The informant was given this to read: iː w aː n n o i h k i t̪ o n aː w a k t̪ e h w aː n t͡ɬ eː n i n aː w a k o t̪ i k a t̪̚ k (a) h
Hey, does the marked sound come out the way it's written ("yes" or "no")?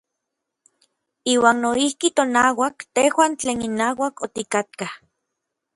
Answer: yes